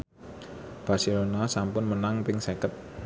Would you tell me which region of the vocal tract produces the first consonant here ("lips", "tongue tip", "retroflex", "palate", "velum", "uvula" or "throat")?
lips